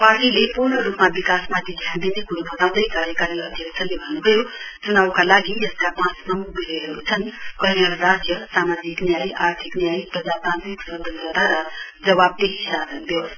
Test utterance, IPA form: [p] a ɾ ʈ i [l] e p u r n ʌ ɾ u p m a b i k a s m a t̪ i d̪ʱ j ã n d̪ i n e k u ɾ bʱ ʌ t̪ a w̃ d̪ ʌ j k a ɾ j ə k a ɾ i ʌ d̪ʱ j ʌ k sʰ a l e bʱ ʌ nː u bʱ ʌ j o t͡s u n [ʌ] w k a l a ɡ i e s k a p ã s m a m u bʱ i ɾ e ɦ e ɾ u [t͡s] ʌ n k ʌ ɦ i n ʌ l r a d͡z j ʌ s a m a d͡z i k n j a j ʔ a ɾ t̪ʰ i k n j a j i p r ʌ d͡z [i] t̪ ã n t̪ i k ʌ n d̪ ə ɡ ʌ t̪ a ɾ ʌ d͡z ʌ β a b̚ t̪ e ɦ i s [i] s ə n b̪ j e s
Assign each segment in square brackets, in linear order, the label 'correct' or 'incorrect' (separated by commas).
correct, correct, incorrect, incorrect, incorrect, incorrect